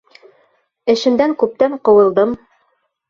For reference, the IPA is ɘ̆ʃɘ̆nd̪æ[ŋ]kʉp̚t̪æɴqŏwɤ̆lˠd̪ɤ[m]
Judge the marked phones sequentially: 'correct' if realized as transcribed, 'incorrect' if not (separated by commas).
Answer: correct, correct